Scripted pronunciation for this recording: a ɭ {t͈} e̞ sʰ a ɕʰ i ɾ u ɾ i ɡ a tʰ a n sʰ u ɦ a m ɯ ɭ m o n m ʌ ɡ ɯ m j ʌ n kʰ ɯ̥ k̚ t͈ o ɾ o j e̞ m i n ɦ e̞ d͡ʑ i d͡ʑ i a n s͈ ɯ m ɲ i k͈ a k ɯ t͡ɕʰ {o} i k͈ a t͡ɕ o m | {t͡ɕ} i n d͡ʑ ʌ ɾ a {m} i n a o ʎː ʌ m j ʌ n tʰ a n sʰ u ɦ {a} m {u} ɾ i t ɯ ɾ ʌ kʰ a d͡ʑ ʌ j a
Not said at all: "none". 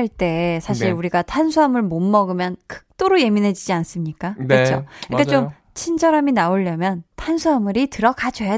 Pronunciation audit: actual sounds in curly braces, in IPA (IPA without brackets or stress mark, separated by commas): t͈, o, t͡ɕʰ, m, a, ɯ